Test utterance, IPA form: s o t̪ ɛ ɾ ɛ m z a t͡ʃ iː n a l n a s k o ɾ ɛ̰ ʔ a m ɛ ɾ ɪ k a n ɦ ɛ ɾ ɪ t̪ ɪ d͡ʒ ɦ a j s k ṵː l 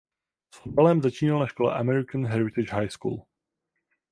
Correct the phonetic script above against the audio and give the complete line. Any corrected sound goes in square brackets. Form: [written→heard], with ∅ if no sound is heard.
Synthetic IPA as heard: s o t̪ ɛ [ɾ→l] ɛ m z a t͡ʃ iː n a l n a [s→ʃ] k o [ɾ→l] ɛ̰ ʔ a m ɛ ɾ ɪ k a n ɦ ɛ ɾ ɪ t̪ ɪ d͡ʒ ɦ a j s k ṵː l